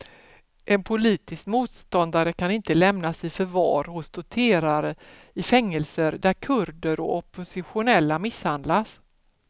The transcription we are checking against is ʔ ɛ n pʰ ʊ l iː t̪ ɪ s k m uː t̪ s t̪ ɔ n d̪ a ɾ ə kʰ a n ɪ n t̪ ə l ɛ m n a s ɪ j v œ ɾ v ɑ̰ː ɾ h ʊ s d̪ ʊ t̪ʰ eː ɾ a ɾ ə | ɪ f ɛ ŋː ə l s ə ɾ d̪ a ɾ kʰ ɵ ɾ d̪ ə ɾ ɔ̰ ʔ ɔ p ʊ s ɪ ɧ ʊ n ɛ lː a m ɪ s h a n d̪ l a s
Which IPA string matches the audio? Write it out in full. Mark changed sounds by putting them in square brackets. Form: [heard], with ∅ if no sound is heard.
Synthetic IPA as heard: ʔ ɛ n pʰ ʊ l iː t̪ ɪ s k m uː t̪ s t̪ ɔ n d̪ a ɾ ə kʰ a n ɪ n t̪ ə l ɛ m n a s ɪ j [f] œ ɾ v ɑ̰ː ɾ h ʊ s d̪ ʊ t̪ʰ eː ɾ a ɾ ə | ɪ f ɛ ŋː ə l s ə ɾ d̪ [æ] ɾ kʰ ɵ ɾ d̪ ə ɾ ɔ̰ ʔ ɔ p ʊ s ɪ ɧ ʊ n ɛ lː a m ɪ s h a n d̪ l a s